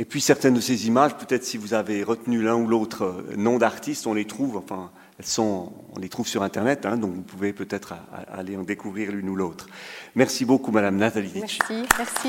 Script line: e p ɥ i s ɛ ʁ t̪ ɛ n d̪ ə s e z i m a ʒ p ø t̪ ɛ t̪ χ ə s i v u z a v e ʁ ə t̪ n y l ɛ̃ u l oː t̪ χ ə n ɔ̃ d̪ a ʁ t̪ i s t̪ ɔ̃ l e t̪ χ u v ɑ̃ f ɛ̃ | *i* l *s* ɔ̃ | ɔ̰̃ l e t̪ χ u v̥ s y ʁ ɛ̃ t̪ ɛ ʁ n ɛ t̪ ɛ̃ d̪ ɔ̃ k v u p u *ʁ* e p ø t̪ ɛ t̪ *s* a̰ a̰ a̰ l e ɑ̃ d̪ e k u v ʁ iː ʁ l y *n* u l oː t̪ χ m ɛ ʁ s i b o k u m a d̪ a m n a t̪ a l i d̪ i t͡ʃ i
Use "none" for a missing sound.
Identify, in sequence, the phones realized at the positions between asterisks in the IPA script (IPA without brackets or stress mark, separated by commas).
ɛ, s, v, χ, n